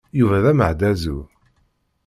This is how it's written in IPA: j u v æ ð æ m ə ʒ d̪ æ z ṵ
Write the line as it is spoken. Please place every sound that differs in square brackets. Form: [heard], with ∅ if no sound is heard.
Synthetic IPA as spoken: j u v æ ð æ m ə [ʕ] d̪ æ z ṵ